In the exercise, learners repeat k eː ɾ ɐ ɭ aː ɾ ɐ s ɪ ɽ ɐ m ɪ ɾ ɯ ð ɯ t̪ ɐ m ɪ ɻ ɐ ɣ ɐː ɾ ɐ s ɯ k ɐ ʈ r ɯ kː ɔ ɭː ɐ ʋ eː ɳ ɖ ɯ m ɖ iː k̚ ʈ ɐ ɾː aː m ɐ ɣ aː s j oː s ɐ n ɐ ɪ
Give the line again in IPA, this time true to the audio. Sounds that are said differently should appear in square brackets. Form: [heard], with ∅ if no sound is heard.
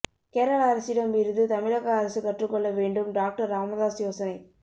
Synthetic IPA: k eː ɾ ɐ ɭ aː ɾ ɐ s ɪ ɽ ɐ m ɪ ɾ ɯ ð ɯ t̪ ɐ m ɪ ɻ ɐ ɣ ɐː ɾ ɐ s ɯ k ɐ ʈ r ɯ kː ɔ ɭː ɐ ʋ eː ɳ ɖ ɯ m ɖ [aː] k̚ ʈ ɐ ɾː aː m ɐ [ð] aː s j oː s ɐ n ɐ ɪ